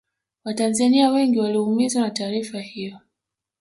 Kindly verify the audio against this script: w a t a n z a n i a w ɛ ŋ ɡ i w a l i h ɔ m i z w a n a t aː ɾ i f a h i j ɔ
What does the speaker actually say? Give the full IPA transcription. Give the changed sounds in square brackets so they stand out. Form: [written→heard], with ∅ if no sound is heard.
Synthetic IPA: w a t a n z a n i a w ɛ ŋ ɡ i w a l i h [ɔ→u] m i z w a n a t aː ɾ i f a h i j ɔ